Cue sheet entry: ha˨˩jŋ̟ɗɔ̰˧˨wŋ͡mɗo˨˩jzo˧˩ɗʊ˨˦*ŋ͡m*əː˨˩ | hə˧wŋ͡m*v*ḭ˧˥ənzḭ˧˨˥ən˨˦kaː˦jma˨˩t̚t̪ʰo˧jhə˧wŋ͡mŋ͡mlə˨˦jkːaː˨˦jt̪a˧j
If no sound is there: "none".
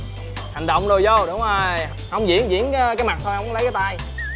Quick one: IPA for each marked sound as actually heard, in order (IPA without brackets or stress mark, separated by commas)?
ŋ͡m, z